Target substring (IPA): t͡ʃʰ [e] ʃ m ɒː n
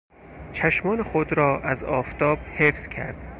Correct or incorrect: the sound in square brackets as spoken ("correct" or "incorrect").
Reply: incorrect